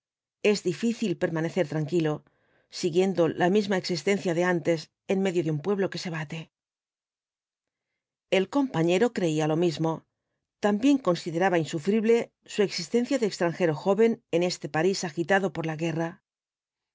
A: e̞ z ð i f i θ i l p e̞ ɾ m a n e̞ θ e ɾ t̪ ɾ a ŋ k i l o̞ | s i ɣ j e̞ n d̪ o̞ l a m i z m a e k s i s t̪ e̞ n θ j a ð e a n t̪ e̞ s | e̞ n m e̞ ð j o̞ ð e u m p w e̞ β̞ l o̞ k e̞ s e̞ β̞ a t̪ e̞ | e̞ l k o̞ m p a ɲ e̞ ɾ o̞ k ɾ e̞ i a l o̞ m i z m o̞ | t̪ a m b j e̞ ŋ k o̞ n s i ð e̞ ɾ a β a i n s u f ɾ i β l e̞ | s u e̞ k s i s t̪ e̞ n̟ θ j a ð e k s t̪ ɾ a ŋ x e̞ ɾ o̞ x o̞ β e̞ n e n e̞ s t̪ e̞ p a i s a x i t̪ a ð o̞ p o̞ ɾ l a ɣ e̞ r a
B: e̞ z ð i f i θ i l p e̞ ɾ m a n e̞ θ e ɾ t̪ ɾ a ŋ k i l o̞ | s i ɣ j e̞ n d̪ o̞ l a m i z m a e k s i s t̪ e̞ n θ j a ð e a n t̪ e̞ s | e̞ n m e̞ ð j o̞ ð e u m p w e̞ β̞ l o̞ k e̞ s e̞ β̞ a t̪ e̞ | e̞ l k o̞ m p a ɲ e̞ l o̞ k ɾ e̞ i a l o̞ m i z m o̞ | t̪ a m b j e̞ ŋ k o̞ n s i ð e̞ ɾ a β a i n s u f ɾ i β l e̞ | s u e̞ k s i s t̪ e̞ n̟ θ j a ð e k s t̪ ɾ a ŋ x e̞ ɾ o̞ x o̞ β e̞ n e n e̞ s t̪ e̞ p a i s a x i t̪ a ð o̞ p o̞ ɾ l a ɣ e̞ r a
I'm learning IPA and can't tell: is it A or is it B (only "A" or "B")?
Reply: A